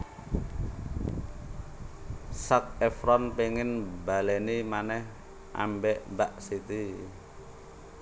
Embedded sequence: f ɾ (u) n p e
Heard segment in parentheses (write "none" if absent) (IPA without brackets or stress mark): ɔ